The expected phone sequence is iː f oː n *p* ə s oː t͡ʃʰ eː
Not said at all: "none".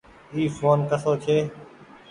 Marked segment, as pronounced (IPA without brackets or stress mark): k